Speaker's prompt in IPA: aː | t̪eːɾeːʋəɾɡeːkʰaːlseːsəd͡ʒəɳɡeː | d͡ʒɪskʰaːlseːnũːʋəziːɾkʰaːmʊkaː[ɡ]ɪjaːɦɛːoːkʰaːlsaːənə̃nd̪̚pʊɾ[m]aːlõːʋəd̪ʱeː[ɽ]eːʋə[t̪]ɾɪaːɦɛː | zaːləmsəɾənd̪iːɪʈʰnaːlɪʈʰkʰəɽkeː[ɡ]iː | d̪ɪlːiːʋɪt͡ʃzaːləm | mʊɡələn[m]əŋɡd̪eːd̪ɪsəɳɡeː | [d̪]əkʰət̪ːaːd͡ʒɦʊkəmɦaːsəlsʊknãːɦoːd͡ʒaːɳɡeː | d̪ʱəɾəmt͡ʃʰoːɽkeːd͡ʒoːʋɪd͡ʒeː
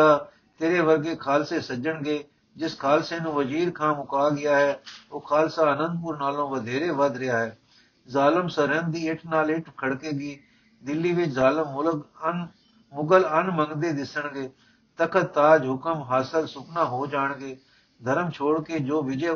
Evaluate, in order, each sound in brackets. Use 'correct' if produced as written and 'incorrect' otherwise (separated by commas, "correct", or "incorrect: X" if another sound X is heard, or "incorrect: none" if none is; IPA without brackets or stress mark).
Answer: correct, incorrect: n, incorrect: ɾ, incorrect: d̪, correct, correct, incorrect: t̪